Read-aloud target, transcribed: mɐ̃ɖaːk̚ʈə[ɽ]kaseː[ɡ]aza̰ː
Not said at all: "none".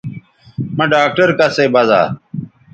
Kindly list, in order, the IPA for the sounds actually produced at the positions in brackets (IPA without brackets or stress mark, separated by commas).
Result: ɾ, b